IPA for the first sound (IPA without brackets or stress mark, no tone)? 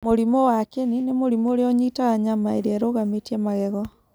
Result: m